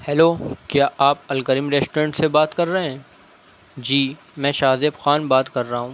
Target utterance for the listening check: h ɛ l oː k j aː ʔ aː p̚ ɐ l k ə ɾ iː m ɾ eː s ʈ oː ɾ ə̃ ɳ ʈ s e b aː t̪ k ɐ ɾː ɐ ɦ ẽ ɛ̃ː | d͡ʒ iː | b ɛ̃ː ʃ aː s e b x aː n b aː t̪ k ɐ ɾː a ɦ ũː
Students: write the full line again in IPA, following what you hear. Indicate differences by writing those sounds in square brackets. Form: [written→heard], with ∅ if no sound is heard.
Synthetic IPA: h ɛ l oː k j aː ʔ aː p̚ ɐ l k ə ɾ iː m ɾ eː s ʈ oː ɾ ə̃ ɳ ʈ s e b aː t̪ k ɐ ɾː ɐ ɦ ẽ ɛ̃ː | d͡ʒ iː | [b→m] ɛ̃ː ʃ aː [s→z] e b x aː n b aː t̪ k ɐ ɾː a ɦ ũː